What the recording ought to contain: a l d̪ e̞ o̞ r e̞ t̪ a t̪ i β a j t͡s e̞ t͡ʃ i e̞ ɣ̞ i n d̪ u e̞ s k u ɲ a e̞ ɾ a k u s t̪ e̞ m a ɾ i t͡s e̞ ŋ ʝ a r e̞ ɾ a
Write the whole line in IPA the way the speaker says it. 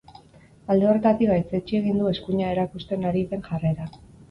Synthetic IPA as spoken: a l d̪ e̞ o̞ r e̞ t̪ a t̪ i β a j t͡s e̞ t͡ʃ i e̞ ɣ̞ i n d̪ u e̞ s k u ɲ a e̞ ɾ a k u s t̪ e̞ n a ɾ i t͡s e̞ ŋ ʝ a r e̞ ɾ a

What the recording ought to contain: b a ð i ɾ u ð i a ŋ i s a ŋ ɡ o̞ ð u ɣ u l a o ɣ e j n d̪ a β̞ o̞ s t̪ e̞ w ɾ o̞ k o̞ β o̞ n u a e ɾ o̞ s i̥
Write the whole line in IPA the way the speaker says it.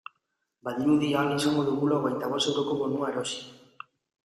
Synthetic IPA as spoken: b a ð i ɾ u ð i a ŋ i s a ŋ ɡ o̞ ð u ɣ u l a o ɣ e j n t̪ a β̞ o̞ s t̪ e̞ w ɾ o̞ k o̞ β o̞ n u a e ɾ o̞ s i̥

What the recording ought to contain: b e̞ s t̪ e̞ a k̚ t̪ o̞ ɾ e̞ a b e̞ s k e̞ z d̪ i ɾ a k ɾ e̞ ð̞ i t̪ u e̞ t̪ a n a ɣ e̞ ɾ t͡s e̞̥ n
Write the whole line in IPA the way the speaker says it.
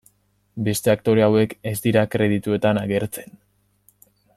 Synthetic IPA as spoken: b e̞ s t̪ e̞ a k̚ t̪ o̞ ɾ e̞ a w e̞ k e̞ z d̪ i ɾ a k ɾ e̞ ð̞ i t̪ u e̞ t̪ a n a ɣ e̞ ɾ t͡s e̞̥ n

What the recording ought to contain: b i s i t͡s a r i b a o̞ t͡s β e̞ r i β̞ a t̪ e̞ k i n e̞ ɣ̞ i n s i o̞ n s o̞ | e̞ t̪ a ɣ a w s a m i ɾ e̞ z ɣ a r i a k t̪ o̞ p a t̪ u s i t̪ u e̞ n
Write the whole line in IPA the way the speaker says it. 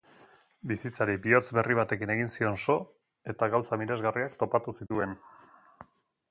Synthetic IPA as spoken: b i s i t͡s a ɾ i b i o̞ t͡s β e̞ r i β̞ a t̪ e̞ k i n e̞ ɣ̞ i n s i o̞ n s o̞ | e̞ t̪ a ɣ a w s a m i ɾ e̞ z ɣ a r i a k t̪ o̞ p a t̪ u s i t̪ u e̞ n

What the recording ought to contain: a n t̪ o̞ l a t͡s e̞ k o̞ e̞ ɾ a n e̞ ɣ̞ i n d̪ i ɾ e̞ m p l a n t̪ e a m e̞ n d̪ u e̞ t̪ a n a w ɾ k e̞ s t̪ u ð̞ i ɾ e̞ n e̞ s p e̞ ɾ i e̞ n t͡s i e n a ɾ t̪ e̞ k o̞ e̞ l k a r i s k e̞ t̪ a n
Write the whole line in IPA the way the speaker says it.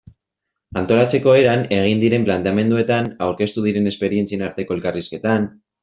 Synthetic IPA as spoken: a n t̪ o̞ l a t͡s e̞ k o̞ e̞ ɾ a n e̞ ɣ̞ i n d̪ i ɾ e̞ m p l a n t̪ e a m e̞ n d̪ u e̞ t̪ a n a w ɾ k e̞ s t̪ u ð̞ i ɾ e̞ n e̞ s p e̞ ɾ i e̞ n t͡s i e n a ɾ t̪ e̞ k o̞ e̞ l k a r i s k e̞ t̪ a n

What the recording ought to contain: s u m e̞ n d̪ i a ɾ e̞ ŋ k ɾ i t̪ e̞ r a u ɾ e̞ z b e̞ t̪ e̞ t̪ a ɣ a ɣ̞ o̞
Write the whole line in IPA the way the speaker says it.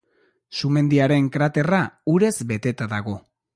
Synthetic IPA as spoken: s u m e̞ n d̪ i a ɾ e̞ ŋ k ɾ a t̪ e̞ r a u ɾ e̞ z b e̞ t̪ e̞ t̪ a ð a ɣ̞ o̞

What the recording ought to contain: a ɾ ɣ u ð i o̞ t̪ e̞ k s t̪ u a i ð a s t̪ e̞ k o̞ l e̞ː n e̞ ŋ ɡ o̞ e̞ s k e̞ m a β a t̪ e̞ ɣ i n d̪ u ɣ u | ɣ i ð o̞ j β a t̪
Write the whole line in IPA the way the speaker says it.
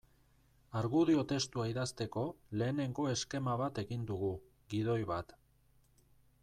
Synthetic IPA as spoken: a ɾ ɣ u ð i o̞ t̪ e̞ s t̪ u a i ð a s t̪ e̞ k o̞ l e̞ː n e̞ ŋ ɡ o̞ e̞ s k e̞ m a β a t̪ e̞ ɣ i n d̪ u ɣ u | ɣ i ð o̞ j β a t̪

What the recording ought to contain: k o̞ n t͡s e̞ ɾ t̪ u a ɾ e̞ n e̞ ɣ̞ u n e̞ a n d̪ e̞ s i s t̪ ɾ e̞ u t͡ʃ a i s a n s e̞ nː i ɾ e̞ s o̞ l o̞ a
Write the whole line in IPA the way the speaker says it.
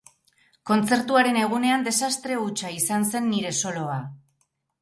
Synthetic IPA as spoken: k o̞ n t͡s e̞ ɾ t̪ u a ɾ e̞ n e̞ ɣ̞ u n e̞ a n d̪ e̞ s a s t̪ ɾ e̞ u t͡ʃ a i s a n s e̞ nː i ɾ e̞ s o̞ l o̞ a

